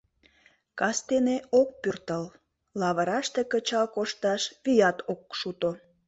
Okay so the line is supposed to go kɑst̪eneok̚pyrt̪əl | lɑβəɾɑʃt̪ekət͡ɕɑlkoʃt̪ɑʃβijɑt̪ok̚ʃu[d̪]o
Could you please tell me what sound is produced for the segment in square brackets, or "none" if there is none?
t̪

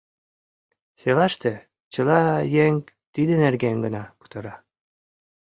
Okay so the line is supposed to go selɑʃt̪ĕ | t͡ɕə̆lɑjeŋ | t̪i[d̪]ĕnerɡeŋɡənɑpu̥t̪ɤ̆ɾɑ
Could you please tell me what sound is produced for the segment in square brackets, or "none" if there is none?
d̪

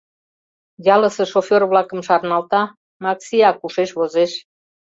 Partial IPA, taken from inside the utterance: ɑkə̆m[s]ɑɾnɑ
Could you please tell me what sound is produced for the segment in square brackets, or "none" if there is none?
ʃ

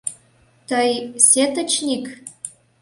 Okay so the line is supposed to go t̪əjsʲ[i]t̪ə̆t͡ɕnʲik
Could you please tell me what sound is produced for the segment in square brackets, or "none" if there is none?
e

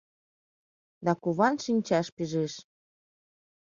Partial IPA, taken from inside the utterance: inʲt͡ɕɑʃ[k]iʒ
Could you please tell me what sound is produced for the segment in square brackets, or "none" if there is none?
p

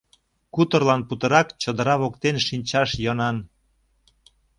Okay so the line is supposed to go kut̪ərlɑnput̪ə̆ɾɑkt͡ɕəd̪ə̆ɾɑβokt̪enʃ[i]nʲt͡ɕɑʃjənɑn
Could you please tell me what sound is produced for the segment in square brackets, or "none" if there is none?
i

